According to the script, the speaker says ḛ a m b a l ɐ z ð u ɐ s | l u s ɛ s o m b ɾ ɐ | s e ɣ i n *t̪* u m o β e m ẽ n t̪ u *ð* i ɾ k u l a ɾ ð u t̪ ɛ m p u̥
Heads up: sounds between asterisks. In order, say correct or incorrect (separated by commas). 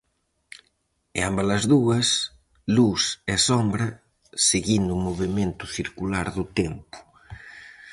incorrect, incorrect